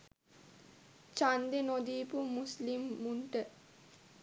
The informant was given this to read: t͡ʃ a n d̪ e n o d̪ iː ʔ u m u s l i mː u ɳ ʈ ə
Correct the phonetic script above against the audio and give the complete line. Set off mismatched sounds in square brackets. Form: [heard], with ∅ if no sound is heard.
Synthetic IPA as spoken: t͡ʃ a n d̪ e n o d̪ iː [p] u m u s l i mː u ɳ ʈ ə